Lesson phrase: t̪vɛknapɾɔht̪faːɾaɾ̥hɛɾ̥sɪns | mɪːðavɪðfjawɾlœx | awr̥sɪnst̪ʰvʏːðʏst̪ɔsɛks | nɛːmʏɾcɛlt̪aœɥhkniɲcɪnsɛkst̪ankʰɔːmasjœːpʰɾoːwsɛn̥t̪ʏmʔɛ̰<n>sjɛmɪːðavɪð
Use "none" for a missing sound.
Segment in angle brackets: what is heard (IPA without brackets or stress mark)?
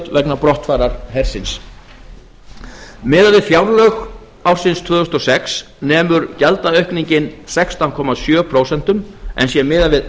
n